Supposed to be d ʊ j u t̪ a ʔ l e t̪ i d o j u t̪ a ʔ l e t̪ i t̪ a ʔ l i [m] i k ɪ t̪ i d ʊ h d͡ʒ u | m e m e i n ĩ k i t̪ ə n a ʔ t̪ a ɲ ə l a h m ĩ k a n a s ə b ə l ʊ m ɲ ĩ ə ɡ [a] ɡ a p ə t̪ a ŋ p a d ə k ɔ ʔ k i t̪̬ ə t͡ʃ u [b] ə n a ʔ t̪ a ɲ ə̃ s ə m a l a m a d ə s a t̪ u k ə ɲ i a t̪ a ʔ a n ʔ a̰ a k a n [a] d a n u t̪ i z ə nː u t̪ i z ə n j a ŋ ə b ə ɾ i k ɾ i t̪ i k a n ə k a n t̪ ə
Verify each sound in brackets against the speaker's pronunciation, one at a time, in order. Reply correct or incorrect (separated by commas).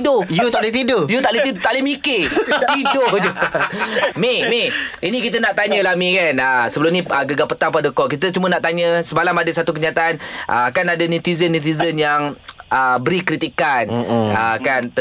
correct, incorrect, incorrect, correct